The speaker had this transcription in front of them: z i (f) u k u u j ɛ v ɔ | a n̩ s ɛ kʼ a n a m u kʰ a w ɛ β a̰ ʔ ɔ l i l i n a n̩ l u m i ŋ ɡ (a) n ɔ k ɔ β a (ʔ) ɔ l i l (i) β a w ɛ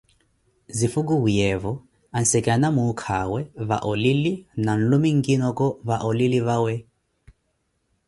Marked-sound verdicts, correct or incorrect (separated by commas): correct, incorrect, correct, correct